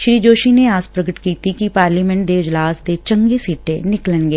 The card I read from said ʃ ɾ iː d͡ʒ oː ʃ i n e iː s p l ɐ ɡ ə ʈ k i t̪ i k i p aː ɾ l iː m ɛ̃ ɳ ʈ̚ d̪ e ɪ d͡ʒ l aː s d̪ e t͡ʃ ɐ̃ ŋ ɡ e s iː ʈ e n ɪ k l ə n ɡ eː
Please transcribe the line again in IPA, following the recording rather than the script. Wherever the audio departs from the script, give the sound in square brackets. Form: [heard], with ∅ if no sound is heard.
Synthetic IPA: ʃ ɾ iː d͡ʒ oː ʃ i n e [aː] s p [ɾ] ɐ ɡ ə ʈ k [iː] t̪ i k i p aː ɾ l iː m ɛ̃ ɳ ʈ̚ d̪ e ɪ d͡ʒ l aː s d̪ e t͡ʃ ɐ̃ ŋ ɡ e s iː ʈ e n ɪ k l ə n ɡ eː